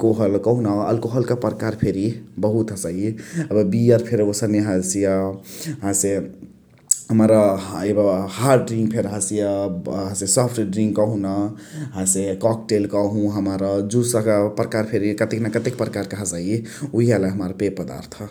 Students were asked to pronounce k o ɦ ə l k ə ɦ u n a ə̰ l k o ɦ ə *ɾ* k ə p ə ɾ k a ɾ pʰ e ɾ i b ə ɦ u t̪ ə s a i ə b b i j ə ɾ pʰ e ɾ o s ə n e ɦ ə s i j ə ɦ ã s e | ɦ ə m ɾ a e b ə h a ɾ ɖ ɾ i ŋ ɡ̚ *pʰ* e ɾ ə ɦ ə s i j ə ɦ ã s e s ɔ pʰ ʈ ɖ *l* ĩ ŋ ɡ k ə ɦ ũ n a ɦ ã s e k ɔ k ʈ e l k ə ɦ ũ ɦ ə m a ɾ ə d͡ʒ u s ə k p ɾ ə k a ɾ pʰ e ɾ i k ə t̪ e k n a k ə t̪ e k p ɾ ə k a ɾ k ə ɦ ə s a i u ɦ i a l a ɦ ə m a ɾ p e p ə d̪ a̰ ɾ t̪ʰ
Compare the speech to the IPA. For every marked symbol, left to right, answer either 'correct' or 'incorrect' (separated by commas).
incorrect, correct, incorrect